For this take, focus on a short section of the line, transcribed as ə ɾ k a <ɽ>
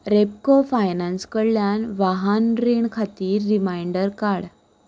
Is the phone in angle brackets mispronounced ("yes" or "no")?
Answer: no